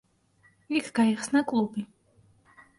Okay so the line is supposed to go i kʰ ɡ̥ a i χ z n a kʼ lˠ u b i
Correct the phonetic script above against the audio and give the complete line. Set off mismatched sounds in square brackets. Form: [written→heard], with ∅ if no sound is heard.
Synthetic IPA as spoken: i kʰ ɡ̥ a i χ [z→s] n a kʼ lˠ u b i

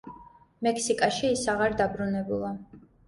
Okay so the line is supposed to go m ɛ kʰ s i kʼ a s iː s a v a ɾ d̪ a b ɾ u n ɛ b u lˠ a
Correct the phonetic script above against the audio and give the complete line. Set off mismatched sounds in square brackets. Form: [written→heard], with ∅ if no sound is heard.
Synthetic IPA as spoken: m ɛ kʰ s i kʼ a [s→ʃ] iː s a [v→ʁ] a ɾ d̪ a b ɾ u n ɛ b u lˠ a

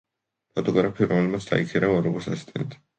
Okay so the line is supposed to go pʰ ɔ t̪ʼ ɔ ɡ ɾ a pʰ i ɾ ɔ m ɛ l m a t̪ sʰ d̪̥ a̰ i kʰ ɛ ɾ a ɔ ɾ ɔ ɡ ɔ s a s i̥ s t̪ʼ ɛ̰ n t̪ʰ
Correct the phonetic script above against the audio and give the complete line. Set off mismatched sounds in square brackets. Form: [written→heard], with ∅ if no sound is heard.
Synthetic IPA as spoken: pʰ ɔ t̪ʼ ɔ ɡ ɾ a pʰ i ɾ ɔ m ɛ l m a t̪ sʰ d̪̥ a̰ i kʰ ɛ ɾ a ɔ ɾ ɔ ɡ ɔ s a s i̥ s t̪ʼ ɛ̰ n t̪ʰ

